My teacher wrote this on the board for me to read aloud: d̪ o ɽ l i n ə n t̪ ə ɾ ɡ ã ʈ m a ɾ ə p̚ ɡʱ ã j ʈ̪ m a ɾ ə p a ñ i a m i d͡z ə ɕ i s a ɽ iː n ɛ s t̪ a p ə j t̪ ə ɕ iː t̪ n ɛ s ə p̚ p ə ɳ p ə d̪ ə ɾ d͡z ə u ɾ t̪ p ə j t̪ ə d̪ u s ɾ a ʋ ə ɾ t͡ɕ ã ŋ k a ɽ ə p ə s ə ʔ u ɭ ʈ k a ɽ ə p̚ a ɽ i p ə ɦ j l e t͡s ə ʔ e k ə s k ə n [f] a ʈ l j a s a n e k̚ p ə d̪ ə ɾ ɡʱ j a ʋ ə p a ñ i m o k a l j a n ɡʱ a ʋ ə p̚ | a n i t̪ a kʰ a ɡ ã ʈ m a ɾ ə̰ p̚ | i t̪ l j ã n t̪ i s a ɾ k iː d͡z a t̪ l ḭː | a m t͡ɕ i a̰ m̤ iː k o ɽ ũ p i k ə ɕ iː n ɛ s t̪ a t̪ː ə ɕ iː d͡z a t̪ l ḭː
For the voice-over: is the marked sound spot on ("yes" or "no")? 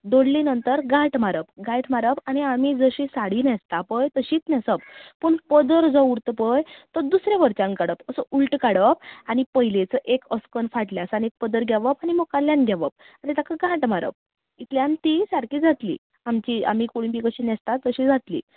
yes